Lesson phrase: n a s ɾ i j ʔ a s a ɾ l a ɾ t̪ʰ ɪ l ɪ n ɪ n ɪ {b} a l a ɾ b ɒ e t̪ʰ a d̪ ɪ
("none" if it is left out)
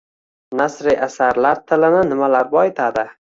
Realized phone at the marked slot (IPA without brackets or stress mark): m